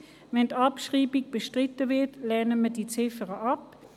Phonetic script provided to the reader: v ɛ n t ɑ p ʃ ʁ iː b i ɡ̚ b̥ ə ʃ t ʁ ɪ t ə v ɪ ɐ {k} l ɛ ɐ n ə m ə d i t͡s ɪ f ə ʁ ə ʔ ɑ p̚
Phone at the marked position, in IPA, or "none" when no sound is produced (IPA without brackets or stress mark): t